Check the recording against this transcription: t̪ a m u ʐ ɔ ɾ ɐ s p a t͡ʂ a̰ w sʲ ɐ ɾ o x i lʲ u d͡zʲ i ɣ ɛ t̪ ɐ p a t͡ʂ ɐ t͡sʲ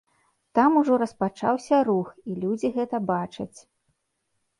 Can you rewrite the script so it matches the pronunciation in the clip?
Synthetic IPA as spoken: t̪ a m u ʐ ɔ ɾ ɐ s p a t͡ʂ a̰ w sʲ ɐ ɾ u x i lʲ u d͡zʲ i ɣ ɛ t̪ ɐ b a t͡ʂ ɐ t͡sʲ